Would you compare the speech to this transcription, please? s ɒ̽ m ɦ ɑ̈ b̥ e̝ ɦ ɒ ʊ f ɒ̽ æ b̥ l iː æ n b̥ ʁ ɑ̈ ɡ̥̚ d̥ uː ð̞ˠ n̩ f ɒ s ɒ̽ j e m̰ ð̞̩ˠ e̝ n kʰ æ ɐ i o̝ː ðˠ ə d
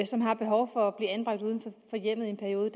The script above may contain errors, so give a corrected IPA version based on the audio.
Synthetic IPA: s ɒ̽ m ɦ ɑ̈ b̥ e̝ ɦ ɒ ʊ f ɒ̽ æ b̥ l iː æ n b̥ ʁ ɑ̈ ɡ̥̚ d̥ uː ð̞ˠ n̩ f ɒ f ɒ̽ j e m̰ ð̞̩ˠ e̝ n pʰ æ ɐ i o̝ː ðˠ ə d

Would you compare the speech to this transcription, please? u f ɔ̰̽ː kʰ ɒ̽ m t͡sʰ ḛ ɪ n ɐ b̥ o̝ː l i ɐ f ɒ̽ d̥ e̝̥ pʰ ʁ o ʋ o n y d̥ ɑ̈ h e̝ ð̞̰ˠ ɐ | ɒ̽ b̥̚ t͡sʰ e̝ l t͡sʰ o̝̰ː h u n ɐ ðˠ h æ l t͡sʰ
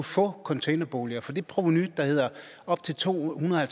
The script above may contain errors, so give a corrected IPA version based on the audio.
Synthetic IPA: u f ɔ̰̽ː kʰ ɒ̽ n t͡sʰ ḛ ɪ n ɐ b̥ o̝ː l i ɐ f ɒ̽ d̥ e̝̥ pʰ ʁ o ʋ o n y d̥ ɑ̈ h e̝ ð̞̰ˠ ɐ | ɒ̽ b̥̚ t͡sʰ e̝ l t͡sʰ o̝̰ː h u n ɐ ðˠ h æ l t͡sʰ

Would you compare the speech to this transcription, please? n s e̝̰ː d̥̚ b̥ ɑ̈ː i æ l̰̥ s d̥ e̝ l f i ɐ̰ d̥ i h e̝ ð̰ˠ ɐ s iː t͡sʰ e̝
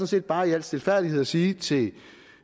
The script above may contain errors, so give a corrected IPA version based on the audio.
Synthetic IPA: n s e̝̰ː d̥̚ b̥ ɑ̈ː i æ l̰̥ s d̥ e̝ l f æ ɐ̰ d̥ i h e̝ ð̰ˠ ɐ s iː t͡sʰ e̝

